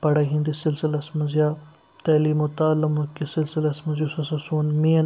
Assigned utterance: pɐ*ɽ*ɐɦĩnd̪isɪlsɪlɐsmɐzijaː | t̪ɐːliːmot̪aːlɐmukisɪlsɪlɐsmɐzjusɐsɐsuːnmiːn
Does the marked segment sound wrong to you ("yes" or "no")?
no